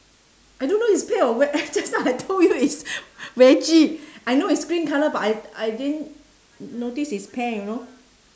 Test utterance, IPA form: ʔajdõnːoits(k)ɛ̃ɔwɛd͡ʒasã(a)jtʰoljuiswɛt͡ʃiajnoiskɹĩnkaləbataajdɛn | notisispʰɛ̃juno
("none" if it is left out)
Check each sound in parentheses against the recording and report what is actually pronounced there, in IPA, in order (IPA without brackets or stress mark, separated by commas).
p, a